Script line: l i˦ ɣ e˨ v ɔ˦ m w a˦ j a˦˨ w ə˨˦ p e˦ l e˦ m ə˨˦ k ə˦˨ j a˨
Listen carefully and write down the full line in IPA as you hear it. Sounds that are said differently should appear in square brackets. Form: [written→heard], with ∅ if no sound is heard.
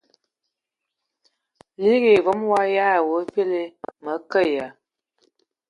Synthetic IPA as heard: l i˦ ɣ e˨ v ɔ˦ m w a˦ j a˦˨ w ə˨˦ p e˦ l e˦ m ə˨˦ k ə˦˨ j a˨